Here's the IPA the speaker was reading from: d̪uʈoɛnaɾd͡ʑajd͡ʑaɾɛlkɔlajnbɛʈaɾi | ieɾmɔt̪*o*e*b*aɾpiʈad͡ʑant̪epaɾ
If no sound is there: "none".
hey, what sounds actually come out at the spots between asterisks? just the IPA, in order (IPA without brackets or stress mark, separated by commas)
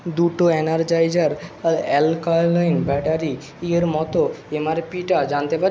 o, m